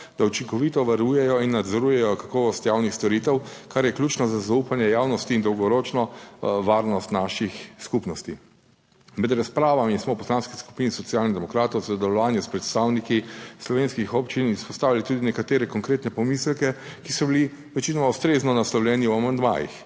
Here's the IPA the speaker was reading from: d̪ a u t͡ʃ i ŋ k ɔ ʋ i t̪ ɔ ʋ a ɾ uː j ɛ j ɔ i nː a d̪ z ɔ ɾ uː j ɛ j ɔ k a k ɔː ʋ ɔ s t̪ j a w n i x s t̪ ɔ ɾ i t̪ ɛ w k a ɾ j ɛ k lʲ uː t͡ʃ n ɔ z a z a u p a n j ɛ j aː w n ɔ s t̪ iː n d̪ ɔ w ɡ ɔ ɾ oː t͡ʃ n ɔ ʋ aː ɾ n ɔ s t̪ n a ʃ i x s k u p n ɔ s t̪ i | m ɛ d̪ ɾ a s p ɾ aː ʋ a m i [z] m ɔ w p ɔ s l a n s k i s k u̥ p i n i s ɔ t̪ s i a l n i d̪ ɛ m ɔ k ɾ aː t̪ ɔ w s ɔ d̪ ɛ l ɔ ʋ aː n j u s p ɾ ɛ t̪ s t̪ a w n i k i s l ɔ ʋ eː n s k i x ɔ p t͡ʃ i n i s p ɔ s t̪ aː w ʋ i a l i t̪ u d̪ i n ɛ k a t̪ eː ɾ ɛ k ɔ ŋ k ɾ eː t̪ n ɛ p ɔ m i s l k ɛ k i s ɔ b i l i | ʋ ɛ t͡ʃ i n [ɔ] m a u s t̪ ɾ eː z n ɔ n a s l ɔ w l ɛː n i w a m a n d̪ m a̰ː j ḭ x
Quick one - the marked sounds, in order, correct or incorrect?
incorrect, correct

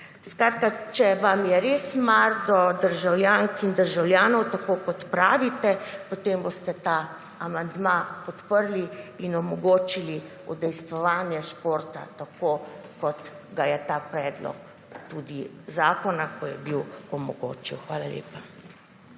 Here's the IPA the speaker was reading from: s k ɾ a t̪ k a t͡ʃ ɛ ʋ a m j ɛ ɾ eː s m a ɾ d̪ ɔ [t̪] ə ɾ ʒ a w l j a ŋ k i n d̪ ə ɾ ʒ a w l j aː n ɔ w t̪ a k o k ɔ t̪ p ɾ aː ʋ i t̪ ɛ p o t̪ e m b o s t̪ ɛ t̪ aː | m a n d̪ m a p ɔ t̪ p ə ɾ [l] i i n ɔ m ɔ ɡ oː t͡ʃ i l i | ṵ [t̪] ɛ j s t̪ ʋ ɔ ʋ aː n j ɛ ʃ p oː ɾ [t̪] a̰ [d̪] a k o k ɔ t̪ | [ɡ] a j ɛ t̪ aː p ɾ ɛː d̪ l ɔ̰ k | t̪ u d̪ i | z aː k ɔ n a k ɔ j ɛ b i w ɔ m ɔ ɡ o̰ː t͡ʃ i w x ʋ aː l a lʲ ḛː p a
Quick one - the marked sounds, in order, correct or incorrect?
incorrect, correct, incorrect, correct, incorrect, correct

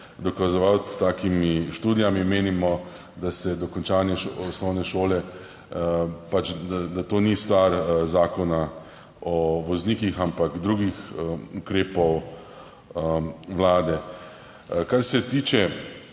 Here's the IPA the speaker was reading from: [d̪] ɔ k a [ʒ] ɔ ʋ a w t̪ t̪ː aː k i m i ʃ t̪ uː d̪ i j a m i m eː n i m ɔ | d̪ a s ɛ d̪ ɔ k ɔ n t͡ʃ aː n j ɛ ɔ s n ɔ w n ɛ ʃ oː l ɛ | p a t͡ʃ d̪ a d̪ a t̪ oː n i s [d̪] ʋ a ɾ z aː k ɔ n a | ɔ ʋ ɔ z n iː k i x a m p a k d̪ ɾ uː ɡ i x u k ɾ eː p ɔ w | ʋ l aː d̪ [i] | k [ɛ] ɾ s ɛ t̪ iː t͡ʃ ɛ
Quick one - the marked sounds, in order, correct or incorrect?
correct, incorrect, incorrect, incorrect, incorrect

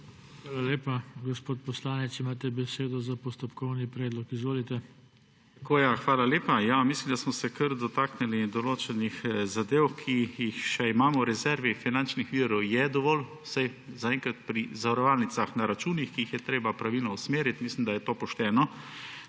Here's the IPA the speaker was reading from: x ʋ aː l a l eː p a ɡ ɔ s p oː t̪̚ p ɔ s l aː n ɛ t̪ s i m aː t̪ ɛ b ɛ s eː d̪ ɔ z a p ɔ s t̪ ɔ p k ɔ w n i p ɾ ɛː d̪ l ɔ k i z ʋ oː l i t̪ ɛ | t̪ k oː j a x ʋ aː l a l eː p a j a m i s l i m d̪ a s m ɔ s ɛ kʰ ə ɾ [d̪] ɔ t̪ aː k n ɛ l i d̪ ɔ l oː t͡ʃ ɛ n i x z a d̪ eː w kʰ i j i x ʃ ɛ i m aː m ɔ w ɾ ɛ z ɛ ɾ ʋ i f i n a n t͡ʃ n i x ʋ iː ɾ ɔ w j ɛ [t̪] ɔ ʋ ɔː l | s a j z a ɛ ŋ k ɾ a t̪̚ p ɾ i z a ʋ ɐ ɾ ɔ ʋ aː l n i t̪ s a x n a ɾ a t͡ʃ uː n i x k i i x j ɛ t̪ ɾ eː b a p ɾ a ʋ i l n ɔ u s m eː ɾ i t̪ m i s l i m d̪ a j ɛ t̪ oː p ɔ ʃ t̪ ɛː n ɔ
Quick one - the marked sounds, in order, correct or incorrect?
correct, incorrect

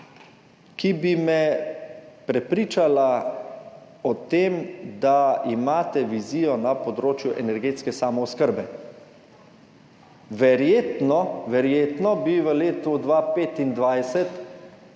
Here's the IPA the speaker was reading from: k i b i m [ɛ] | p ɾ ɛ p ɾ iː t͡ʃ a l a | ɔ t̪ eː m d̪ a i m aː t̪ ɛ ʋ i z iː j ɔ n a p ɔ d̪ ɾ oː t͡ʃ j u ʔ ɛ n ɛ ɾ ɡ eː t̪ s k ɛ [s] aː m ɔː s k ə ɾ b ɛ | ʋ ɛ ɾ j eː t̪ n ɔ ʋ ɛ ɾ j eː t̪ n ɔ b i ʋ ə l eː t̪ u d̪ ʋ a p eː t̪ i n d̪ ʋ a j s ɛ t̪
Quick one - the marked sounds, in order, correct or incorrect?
correct, correct

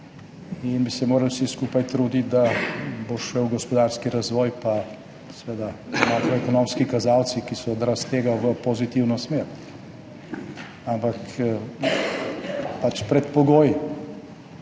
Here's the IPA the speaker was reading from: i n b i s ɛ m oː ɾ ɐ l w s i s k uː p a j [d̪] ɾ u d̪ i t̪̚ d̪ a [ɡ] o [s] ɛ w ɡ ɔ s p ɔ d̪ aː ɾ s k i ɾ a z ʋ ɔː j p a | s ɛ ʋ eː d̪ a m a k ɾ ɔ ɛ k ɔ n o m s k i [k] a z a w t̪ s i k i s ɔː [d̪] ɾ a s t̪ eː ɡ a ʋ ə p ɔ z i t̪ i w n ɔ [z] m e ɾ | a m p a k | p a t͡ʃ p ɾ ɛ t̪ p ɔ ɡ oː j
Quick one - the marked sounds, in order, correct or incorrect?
incorrect, incorrect, incorrect, correct, correct, incorrect

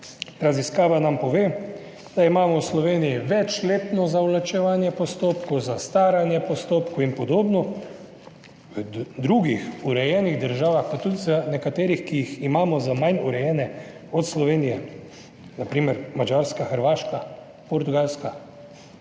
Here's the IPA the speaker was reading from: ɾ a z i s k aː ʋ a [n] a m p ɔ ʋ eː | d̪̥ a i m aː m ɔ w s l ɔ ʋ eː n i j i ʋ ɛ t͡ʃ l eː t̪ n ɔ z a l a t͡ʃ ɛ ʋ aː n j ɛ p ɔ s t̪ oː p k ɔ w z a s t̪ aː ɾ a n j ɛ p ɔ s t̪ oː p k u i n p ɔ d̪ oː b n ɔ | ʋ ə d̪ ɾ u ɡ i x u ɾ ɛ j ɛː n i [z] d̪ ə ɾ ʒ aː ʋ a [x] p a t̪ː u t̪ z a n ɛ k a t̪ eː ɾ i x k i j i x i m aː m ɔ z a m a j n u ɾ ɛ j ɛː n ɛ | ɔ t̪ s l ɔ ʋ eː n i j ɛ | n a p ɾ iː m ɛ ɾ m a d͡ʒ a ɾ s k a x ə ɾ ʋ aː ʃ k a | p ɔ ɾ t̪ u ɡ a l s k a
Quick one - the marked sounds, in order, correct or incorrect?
correct, incorrect, correct

